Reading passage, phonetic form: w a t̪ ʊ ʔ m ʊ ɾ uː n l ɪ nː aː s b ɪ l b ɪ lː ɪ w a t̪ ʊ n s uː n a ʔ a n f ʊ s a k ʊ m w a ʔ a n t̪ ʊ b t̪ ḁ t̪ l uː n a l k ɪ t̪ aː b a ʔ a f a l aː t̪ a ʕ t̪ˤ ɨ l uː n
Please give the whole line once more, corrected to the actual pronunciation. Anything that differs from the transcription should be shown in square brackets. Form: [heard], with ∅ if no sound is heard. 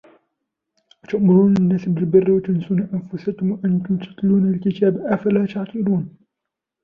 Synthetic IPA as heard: w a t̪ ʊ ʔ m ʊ ɾ uː n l ɪ nː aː s b ɪ l b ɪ [rː] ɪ w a t̪ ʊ n s uː n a ʔ a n f ʊ s a k ʊ m w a ʔ a n t̪ ʊ [m] t̪ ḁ t̪ l uː n a l k ɪ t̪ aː b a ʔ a f a l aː t̪ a ʕ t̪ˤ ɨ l uː n